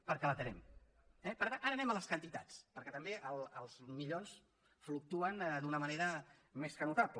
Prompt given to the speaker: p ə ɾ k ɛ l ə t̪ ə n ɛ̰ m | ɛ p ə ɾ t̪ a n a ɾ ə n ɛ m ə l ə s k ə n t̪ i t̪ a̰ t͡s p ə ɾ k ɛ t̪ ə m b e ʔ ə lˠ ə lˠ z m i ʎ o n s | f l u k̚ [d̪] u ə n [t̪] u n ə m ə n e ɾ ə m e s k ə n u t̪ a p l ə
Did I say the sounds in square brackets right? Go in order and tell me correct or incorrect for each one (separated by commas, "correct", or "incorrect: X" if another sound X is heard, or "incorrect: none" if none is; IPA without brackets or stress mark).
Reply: incorrect: t̪, incorrect: d̪